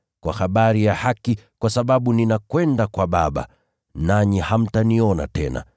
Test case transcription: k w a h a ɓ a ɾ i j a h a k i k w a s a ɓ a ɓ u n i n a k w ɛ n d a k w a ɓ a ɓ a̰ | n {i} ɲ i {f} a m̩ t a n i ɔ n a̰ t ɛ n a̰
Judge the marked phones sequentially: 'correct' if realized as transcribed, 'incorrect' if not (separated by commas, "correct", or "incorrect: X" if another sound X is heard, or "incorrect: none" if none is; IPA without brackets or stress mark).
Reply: incorrect: a, incorrect: h